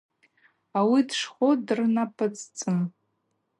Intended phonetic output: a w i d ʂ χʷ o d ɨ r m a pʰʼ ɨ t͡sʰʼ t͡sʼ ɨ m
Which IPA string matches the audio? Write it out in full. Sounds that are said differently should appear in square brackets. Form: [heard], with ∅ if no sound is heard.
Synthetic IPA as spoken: a w i d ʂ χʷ o d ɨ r [n] a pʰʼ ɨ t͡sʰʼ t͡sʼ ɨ m